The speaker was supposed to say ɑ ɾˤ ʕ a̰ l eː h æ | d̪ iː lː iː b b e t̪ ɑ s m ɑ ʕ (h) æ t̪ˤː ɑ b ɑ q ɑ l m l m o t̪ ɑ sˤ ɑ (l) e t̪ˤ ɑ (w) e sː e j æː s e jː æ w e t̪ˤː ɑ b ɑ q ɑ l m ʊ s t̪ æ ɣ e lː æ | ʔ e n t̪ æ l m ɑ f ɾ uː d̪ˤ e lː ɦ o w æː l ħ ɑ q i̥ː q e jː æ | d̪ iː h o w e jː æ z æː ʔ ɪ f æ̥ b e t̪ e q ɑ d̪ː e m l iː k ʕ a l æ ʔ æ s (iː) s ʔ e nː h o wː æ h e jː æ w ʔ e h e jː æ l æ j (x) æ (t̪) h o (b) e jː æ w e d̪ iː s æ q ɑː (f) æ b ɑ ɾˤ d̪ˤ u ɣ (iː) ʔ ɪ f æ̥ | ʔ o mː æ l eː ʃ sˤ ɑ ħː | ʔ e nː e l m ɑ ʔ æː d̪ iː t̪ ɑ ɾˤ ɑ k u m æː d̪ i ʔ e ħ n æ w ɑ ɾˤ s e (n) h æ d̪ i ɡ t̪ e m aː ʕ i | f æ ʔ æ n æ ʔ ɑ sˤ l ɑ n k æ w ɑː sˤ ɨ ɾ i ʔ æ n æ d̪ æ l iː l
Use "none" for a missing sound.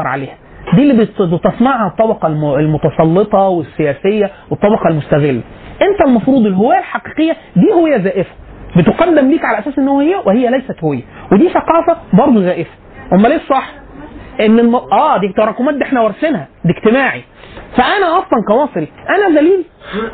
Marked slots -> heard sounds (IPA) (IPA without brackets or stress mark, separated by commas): h, lː, w, æː, s, t̪, w, f, æː, n